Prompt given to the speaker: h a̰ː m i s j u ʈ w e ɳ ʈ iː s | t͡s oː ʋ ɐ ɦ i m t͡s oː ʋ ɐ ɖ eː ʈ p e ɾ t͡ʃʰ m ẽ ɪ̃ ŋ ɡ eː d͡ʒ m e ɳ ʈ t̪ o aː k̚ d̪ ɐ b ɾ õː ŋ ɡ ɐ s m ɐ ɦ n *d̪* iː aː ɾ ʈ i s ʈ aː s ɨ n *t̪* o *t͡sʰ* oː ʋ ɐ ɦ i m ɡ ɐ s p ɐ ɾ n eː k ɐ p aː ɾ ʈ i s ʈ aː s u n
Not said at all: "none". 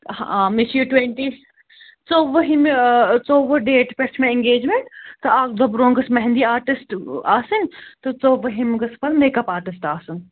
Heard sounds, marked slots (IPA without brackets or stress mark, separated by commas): d̪, t̪, t͡s